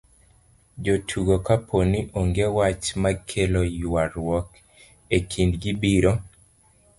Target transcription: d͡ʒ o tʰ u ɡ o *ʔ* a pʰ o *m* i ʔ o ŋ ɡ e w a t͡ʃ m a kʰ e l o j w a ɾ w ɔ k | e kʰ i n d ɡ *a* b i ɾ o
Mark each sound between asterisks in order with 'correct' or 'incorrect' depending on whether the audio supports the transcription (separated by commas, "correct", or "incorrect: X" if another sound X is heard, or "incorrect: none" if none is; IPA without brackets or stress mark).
incorrect: k, incorrect: n, incorrect: i